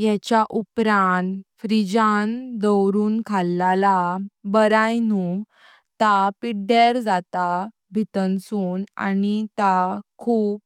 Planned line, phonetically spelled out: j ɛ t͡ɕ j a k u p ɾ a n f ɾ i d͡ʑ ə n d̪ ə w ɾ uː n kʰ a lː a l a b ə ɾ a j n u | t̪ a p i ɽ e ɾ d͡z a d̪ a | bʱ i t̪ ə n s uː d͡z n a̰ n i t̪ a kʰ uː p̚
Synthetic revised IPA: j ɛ t͡ɕ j a ʔ u p ɾ a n f ɾ i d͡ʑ a n d̪ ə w ɾ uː n kʰ a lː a l a b ə ɾ a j n u | t̪ a p i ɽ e ɾ d͡z a t̪ a | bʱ i t̪ ə n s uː n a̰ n i t̪ a kʰ uː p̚

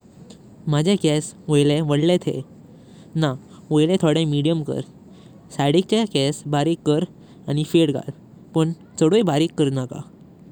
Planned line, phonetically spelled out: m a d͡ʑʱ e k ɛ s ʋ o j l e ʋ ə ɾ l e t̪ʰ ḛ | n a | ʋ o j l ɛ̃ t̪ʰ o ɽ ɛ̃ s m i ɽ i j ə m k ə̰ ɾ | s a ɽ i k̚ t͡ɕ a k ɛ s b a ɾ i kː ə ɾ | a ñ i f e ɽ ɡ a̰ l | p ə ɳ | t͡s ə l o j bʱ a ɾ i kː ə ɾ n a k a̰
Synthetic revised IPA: m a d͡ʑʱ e k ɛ s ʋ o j l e ʋ ə ɽ l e t̪ʰ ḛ | n a | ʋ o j l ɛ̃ t̪ʰ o ɽ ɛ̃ m i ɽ i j ə m k ə̰ ɾ | s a ɽ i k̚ t͡ɕ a k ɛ s b a ɾ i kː ə ɾ | a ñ i f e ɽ ɡ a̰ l | p ə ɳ | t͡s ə ɽ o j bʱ a ɾ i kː ə ɾ n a k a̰

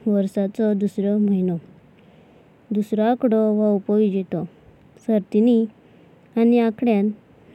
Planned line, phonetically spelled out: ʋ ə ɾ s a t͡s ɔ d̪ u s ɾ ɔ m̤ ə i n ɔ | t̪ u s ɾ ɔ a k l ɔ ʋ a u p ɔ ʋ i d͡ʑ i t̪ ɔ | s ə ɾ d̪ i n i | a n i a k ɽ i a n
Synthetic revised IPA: ʋ ə ɾ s a t͡s ɔ d̪ u s ɾ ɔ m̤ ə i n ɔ | d̪ u s ɾ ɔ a k ɽ ɔ ʋ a u p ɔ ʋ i d͡ʑ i t̪ ɔ | s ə ɾ t̪ i n i | a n i a k ɽ j a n

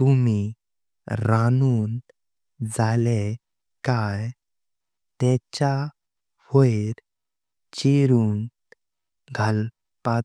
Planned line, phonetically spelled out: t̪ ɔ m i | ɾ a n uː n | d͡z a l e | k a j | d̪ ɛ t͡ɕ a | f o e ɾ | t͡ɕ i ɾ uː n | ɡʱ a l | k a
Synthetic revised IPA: t̪ u m i | ɾ a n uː n | d͡z a l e | k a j | t̪ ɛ t͡ɕ a | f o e ɾ | t͡ɕ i ɾ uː n | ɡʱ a l | p a

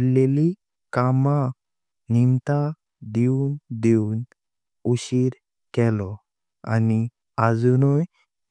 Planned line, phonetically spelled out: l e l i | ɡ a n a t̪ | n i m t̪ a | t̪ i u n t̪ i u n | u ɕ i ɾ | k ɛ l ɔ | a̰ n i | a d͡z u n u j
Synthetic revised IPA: l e l i | k a m a | n i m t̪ a | d̪ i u n d̪ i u n | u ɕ i ɾ | k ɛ l ɔ | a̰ n i | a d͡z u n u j

